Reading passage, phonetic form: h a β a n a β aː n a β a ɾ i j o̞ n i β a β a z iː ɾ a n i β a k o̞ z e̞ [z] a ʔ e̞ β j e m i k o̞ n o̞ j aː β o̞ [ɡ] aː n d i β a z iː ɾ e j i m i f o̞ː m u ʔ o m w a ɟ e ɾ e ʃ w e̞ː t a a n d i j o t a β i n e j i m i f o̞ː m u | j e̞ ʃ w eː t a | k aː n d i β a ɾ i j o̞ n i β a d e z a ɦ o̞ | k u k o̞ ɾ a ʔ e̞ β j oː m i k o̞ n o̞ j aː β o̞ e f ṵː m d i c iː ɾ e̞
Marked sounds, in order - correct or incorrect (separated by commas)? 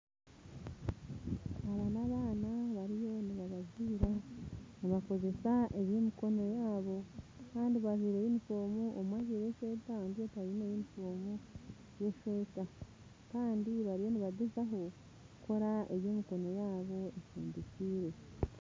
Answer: incorrect, incorrect